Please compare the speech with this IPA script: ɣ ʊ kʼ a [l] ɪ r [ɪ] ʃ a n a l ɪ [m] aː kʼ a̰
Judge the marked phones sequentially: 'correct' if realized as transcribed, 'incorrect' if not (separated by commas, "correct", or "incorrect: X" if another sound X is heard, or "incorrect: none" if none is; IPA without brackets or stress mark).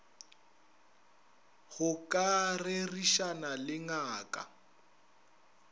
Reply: incorrect: r, incorrect: i, incorrect: ŋ